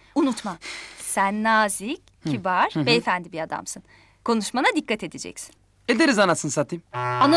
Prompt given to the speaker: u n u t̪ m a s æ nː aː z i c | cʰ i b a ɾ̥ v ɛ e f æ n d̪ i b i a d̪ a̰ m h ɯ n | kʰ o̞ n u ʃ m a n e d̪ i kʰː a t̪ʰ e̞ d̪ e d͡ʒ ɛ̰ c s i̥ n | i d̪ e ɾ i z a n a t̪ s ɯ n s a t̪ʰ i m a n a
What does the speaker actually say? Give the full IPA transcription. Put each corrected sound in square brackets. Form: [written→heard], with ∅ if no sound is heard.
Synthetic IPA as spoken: u n u t̪ m a s æ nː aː z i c | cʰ i b a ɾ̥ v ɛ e f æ n d̪ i b i a d̪ a̰ m [h→s] ɯ n | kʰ o̞ n u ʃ m a n [e→a] d̪ i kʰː a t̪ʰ e̞ d̪ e d͡ʒ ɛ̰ c s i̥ n | [i→e] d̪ e ɾ i z a n a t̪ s ɯ n s a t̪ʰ i m a n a